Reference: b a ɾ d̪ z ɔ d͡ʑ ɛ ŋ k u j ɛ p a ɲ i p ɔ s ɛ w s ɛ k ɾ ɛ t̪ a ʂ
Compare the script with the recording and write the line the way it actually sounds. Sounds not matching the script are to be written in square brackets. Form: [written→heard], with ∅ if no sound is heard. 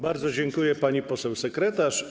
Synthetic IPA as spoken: b a ɾ d̪ z ɔ d͡ʑ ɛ ŋ k u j ɛ p a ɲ i p ɔ s ɛ w s ɛ k ɾ ɛ t̪ a ʂ

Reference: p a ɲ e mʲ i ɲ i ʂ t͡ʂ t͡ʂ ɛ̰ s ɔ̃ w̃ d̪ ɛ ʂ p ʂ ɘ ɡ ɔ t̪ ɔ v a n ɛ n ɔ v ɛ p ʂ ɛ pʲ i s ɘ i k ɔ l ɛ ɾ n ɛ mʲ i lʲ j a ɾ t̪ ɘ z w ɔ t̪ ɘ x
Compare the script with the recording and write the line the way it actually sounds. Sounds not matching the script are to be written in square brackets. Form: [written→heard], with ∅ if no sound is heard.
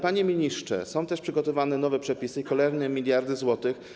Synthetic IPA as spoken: p a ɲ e mʲ i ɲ i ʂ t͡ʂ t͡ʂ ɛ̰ s ɔ̃ w̃ [d̪→t̪] ɛ ʂ p ʂ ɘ ɡ ɔ t̪ ɔ v a n ɛ n ɔ v ɛ p ʂ ɛ pʲ i s ɘ i k ɔ l ɛ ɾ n ɛ mʲ i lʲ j a ɾ [t̪→d̪] ɘ z w ɔ t̪ ɘ x

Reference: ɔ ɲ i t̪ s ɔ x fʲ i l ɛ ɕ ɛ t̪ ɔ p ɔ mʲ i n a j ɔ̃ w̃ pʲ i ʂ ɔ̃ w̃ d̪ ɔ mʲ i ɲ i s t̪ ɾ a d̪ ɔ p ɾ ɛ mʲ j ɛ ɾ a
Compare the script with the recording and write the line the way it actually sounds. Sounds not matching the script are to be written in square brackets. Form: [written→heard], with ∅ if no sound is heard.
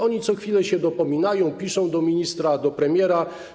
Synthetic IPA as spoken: ɔ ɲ i t̪ s ɔ x fʲ i l ɛ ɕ ɛ [t̪→d̪] ɔ p ɔ mʲ i n a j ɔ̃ w̃ pʲ i ʂ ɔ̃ w̃ d̪ ɔ mʲ i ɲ i s t̪ ɾ a d̪ ɔ p ɾ ɛ mʲ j ɛ ɾ a

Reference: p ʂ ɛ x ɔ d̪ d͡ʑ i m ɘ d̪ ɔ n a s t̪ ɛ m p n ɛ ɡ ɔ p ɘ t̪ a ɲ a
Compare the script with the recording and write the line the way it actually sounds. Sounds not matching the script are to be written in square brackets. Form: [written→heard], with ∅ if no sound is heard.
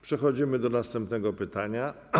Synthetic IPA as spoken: p ʂ ɛ x ɔ [d̪→∅] d͡ʑ i m ɘ d̪ ɔ n a s t̪ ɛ m p n ɛ ɡ ɔ p ɘ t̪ a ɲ a

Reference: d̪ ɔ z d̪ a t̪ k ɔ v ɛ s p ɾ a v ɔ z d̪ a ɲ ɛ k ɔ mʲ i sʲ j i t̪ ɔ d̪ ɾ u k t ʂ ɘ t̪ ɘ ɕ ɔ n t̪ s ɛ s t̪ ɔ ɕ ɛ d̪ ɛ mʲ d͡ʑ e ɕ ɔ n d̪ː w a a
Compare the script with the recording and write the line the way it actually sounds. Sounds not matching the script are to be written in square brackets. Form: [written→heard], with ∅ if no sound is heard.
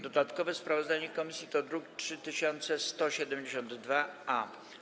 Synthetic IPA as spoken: d̪ ɔ [z→∅] d̪ a t̪ k ɔ v ɛ s p ɾ a v ɔ z d̪ a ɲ ɛ k ɔ mʲ i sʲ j i t̪ ɔ d̪ ɾ u k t ʂ ɘ t̪ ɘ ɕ ɔ n t̪ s ɛ s t̪ ɔ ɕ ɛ d̪ ɛ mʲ d͡ʑ e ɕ ɔ n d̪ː [w→v] a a

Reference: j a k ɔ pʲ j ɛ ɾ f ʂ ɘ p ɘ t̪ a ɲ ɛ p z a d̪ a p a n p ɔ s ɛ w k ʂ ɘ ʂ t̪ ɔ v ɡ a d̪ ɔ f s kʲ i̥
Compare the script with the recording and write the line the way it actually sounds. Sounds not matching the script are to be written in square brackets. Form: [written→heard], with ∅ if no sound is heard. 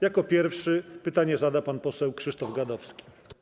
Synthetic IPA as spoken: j a k ɔ pʲ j ɛ ɾ f ʂ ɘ p ɘ t̪ a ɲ ɛ [p→∅] z a d̪ a p a n p ɔ s ɛ w k ʂ ɘ ʂ t̪ ɔ v ɡ a d̪ ɔ f s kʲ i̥

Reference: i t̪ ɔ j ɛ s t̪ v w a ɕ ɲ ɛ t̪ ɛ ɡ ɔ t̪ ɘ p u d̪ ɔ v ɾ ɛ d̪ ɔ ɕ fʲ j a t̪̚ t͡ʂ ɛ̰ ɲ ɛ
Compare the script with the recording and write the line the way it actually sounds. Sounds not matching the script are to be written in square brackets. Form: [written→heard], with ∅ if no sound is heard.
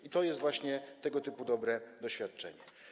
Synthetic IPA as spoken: i t̪ ɔ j ɛ s t̪ v w a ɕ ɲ ɛ t̪ ɛ ɡ ɔ t̪ ɘ p u d̪ ɔ [v→b] ɾ ɛ d̪ ɔ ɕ fʲ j a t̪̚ t͡ʂ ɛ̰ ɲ ɛ

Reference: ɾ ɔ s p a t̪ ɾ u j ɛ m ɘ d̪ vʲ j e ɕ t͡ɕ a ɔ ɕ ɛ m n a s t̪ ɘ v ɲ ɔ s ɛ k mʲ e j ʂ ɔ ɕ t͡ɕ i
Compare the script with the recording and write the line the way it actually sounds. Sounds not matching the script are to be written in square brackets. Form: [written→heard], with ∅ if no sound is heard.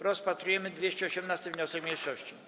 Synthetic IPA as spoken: ɾ ɔ s p a t̪ ɾ u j ɛ m ɘ d̪ vʲ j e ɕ t͡ɕ [a→ɛ] ɔ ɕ ɛ m n a s t̪ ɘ v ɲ ɔ s ɛ k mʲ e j ʂ ɔ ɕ t͡ɕ i

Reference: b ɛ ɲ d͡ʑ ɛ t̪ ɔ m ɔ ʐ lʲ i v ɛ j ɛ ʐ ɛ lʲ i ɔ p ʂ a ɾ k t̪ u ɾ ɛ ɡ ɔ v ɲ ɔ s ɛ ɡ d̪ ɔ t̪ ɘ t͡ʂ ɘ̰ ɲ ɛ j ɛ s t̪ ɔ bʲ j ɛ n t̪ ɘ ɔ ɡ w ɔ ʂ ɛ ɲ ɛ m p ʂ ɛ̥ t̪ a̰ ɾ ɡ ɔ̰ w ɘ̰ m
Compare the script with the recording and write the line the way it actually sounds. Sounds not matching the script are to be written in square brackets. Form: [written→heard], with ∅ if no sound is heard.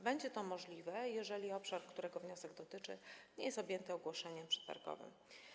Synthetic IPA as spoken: b ɛ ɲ d͡ʑ ɛ t̪ ɔ m ɔ ʐ lʲ i v ɛ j ɛ ʐ ɛ lʲ i ɔ p ʂ a ɾ k t̪ u ɾ ɛ ɡ ɔ v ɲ ɔ s ɛ ɡ d̪ ɔ t̪ ɘ t͡ʂ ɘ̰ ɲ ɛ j ɛ s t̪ ɔ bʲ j ɛ n t̪ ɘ ɔ ɡ w ɔ ʂ ɛ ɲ ɛ m p ʂ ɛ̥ t̪ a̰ ɾ ɡ ɔ̰ [w→v] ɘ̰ m

